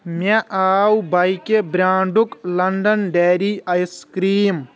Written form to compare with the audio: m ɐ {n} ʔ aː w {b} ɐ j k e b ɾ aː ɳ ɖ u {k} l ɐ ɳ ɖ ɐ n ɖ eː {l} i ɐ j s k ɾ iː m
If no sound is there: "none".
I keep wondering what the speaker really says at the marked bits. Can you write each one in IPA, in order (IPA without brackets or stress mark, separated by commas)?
none, b, k, ɾ